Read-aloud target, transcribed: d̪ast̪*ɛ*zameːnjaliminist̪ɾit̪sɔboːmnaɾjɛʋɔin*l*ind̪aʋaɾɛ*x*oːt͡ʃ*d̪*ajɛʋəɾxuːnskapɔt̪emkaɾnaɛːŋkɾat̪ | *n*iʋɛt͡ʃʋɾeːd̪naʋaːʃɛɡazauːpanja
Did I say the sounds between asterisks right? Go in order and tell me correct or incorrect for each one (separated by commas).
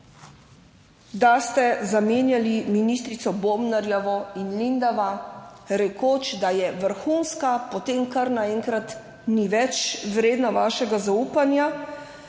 correct, correct, incorrect, correct, correct